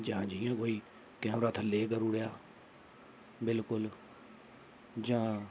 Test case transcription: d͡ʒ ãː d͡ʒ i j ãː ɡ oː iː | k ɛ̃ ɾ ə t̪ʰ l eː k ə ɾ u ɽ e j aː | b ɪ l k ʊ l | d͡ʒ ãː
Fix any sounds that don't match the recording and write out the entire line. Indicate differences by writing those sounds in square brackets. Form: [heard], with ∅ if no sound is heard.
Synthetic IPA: d͡ʒ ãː d͡ʒ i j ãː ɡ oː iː | k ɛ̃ ɾ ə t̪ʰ l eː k ə ɾ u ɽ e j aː | b ɪ l k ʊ l | d͡ʒ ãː